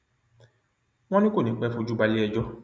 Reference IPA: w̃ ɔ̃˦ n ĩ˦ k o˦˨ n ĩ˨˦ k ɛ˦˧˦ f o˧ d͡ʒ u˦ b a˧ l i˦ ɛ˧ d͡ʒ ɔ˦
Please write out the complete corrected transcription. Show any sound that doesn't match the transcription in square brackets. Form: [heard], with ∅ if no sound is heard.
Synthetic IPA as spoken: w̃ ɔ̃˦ n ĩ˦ k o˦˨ n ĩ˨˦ [k͡p] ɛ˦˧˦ f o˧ d͡ʒ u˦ b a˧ l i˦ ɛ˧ d͡ʒ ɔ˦